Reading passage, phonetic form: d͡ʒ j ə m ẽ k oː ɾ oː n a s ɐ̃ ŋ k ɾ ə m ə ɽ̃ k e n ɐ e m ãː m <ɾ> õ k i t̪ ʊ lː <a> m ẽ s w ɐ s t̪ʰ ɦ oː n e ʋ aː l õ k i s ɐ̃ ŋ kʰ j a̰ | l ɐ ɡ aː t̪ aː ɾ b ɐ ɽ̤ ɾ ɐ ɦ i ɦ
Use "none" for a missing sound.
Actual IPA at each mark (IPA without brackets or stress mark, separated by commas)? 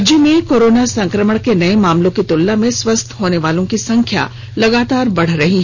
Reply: l, a